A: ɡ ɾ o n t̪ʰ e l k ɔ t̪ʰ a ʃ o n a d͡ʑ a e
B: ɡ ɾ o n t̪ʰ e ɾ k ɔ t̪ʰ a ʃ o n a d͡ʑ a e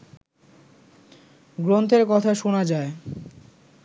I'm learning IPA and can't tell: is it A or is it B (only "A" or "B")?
B